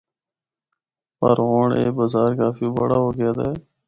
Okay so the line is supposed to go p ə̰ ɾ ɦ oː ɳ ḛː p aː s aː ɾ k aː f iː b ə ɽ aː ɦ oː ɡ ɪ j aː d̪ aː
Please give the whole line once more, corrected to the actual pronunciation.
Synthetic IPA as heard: p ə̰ ɾ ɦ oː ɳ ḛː b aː z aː ɾ k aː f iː b ə ɽ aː ɦ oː ɡ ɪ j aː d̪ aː